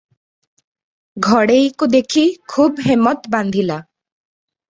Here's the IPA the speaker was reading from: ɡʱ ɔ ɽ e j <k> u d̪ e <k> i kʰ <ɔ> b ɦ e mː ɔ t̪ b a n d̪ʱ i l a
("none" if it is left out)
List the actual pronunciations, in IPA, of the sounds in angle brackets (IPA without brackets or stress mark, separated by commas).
k, kʰ, u